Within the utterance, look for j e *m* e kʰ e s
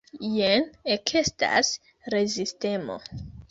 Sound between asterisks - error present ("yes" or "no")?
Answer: yes